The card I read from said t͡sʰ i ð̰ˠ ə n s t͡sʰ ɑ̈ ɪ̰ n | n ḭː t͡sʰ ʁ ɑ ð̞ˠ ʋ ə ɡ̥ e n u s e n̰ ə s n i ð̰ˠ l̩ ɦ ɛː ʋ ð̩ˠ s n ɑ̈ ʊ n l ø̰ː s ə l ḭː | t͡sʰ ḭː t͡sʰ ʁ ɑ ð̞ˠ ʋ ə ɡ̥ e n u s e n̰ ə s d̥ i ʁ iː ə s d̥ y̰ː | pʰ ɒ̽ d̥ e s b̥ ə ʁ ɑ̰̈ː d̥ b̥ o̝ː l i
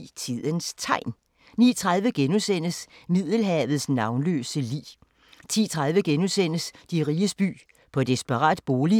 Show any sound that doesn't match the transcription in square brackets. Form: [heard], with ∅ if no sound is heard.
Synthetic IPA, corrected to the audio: t͡sʰ i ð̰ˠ ə n s t͡sʰ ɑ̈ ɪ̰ n | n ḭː t͡sʰ ʁ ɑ ð̞ˠ ʋ ə ɡ̥ e n u s e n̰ ə s [m] i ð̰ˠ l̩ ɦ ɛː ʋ ð̩ˠ s n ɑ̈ ʊ n l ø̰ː s ə l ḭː | t͡sʰ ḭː t͡sʰ ʁ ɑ ð̞ˠ ʋ ə ɡ̥ e n u s e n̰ ə s d̥ i ʁ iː ə s [b̥] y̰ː | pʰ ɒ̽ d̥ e s b̥ ə ʁ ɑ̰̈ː d̥ b̥ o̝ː l i